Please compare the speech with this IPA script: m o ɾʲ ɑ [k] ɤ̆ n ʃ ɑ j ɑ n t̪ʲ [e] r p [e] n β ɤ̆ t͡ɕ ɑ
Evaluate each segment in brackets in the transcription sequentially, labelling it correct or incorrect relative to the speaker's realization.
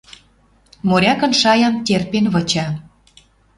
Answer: correct, correct, correct

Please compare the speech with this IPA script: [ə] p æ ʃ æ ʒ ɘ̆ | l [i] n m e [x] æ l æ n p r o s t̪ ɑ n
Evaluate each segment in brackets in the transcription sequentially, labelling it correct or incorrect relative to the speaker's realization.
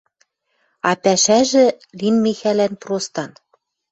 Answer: incorrect: ɑ, correct, correct

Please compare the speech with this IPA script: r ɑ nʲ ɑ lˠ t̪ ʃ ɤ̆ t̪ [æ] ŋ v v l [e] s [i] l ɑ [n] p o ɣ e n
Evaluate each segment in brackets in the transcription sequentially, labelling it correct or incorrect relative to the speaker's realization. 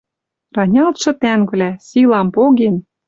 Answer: correct, incorrect: æ, correct, incorrect: m

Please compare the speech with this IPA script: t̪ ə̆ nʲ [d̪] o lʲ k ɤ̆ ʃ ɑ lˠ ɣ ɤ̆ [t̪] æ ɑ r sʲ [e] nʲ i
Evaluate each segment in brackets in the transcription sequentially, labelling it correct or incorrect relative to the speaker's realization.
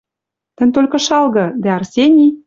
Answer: incorrect: t̪, incorrect: d̪, correct

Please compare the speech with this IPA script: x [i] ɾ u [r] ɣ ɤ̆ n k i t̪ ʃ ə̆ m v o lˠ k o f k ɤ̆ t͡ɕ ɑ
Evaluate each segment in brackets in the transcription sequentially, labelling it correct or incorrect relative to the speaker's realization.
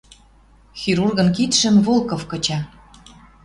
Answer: correct, correct

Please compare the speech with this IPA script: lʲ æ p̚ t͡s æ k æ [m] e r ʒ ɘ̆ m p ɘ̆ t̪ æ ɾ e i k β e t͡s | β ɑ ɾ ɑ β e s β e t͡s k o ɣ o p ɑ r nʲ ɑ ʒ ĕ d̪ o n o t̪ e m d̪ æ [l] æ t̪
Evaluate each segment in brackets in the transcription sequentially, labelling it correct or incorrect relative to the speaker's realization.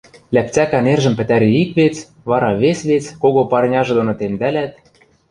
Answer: incorrect: n, correct

